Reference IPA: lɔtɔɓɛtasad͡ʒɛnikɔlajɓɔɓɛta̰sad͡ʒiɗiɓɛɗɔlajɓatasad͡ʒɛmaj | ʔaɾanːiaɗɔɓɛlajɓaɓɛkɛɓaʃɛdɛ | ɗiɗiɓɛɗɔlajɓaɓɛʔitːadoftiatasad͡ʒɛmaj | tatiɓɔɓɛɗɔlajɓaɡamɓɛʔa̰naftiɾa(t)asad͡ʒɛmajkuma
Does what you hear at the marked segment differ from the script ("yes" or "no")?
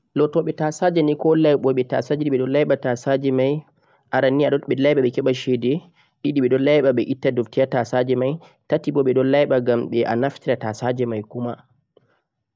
no